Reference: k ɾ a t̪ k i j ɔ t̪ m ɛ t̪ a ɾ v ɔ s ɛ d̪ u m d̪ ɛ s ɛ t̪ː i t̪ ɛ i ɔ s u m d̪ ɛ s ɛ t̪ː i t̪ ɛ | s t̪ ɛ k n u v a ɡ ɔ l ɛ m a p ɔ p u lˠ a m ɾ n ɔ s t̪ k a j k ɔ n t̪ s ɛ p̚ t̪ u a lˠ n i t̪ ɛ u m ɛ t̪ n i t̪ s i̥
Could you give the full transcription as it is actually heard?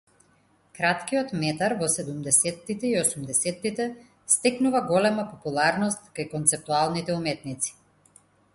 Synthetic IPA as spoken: k ɾ a t̪ k i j ɔ t̪ m ɛ t̪ a ɾ v ɔ s ɛ d̪ u m d̪ ɛ s ɛ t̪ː i t̪ ɛ i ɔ s u m d̪ ɛ s ɛ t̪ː i t̪ ɛ | s t̪ ɛ k n u v a ɡ ɔ l ɛ m a p ɔ p u lˠ a ɾ n ɔ s t̪ k a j k ɔ n t̪ s ɛ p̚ t̪ u a lˠ n i t̪ ɛ u m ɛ t̪ n i t̪ s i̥